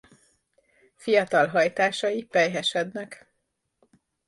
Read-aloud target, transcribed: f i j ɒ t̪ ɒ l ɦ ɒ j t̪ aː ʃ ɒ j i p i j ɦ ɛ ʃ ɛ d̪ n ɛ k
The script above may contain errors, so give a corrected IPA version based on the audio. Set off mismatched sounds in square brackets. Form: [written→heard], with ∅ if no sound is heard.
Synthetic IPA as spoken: f i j ɒ t̪ ɒ l ɦ ɒ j t̪ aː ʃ ɒ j i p [i→ɛ] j ɦ ɛ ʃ ɛ d̪ n ɛ k